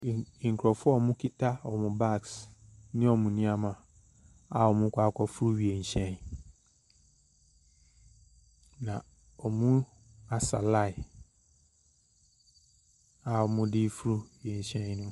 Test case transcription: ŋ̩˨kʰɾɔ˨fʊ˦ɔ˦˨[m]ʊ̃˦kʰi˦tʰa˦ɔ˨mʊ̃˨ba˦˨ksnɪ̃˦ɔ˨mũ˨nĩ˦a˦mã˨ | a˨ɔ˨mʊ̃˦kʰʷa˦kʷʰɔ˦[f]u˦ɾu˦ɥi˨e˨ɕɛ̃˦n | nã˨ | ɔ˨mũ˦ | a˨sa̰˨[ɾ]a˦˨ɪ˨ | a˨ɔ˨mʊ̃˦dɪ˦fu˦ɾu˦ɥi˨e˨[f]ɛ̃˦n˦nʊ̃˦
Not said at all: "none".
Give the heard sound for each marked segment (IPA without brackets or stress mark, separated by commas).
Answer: m, f, l, ɕ